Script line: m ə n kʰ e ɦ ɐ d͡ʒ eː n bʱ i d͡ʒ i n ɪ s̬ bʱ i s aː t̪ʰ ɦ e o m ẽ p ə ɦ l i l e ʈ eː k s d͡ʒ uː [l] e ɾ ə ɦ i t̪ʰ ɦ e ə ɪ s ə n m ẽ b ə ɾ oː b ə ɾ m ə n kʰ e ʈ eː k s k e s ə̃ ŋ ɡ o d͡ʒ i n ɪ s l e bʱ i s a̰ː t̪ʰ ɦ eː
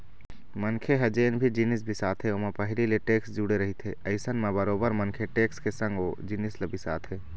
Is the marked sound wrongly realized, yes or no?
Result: yes